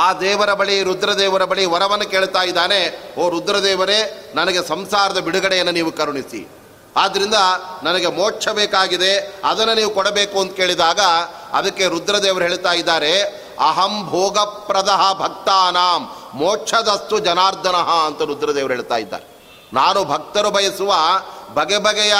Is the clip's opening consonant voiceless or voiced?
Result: voiced